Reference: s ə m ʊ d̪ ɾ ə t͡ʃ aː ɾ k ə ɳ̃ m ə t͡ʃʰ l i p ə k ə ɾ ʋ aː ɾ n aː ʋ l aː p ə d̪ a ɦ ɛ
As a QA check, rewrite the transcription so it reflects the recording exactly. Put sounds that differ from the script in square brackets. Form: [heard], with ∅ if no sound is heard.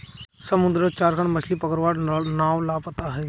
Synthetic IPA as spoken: s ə m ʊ d̪ ɾ ə t͡ʃ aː ɾ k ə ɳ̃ m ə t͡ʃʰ l i p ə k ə ɾ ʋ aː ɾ n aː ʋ l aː p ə [t̪] a ɦ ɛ